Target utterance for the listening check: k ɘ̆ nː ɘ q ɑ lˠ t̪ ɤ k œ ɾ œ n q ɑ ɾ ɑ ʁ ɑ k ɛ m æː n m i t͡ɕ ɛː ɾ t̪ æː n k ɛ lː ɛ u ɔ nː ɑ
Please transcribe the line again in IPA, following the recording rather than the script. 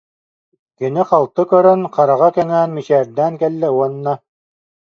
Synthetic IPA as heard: k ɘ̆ n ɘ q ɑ lˠ t̪ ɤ k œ ɾ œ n q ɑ ɾ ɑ ʁ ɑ k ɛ ŋ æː n m i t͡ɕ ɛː ɾ d̪ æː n k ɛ lː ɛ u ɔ nː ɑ